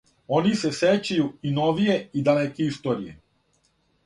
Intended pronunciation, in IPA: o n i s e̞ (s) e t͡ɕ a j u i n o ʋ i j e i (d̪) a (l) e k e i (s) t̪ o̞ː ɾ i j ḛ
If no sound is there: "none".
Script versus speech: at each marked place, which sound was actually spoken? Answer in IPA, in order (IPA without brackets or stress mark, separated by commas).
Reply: s, d̪, l, s